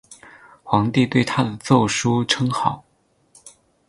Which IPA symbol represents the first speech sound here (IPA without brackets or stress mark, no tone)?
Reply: x